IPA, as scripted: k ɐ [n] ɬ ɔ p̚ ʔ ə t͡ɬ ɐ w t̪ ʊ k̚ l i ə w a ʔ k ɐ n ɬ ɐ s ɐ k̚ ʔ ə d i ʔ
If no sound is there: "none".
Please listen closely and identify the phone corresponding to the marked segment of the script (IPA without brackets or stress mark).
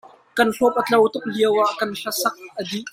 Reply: n